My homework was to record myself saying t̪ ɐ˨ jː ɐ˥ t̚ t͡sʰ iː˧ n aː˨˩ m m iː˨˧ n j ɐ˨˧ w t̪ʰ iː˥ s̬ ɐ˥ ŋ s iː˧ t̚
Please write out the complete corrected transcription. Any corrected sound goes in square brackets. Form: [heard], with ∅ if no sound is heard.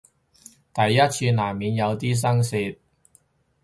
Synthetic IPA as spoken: t̪ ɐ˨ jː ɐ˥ t̚ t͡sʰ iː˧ n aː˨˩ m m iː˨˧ n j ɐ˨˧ w [t̪] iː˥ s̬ ɐ˥ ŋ s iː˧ t̚